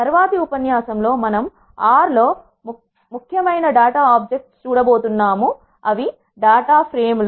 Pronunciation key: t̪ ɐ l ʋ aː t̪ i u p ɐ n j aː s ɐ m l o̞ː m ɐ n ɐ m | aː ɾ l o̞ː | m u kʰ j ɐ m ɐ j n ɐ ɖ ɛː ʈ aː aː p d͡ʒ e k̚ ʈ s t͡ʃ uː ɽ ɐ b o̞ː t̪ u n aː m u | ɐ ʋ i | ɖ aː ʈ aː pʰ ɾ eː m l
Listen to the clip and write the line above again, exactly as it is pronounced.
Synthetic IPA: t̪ ɐ ɾ ʋ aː t̪ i u p ɐ n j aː s ɐ m l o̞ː m ɐ n ɐ m | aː ɾ l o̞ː | m u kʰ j ɐ m ɐ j n ɐ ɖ aː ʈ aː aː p d͡ʒ e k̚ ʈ s t͡ʃ uː ɽ ɐ b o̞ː t̪ u nː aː m u | ɐ ʋ i | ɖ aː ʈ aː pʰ ɾ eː m l